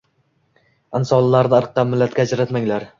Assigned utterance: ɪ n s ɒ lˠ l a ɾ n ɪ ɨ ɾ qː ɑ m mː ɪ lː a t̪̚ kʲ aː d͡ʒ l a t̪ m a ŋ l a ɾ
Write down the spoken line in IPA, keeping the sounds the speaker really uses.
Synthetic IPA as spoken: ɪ n s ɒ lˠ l a ɾ n ɪ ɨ ɾ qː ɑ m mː ɪ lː a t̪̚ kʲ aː d͡ʒ ɾ a t̪ m a ŋ l a ɾ